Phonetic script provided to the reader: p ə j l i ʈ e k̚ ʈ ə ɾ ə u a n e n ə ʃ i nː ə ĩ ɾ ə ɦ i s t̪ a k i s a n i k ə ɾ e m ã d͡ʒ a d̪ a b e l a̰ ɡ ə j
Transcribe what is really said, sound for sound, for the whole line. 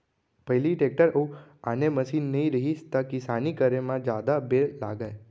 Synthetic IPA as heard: p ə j l i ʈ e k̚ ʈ ə ɾ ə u a n e m ə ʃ i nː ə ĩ ɾ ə ɦ i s t̪ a k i s a n i k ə ɾ e m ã d͡ʒ a d̪ a b e l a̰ ɡ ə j